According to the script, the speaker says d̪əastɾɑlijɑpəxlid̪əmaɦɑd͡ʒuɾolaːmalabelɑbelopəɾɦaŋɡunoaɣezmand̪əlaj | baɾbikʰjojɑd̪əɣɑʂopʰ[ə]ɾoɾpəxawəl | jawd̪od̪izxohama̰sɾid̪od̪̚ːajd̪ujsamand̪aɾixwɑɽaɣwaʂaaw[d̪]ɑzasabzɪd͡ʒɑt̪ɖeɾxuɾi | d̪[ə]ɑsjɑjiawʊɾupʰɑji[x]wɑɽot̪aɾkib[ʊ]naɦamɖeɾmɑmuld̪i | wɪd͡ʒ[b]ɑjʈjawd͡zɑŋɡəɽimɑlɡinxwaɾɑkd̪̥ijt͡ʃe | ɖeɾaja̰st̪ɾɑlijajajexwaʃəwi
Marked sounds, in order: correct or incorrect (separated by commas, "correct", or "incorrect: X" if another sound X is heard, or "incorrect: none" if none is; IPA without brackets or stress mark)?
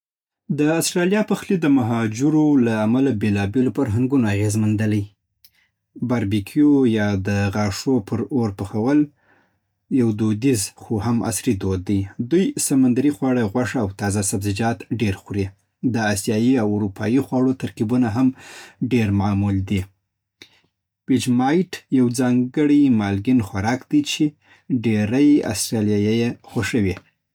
correct, incorrect: t̪, correct, correct, incorrect: u, incorrect: m